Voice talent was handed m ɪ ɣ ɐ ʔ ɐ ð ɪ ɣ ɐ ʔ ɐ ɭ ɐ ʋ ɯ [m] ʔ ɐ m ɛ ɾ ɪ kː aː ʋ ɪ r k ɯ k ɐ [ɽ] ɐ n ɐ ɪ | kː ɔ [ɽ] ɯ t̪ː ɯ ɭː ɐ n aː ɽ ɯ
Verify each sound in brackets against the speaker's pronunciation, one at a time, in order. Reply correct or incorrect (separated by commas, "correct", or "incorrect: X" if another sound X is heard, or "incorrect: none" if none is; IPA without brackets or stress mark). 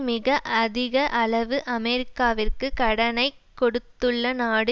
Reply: incorrect: none, correct, correct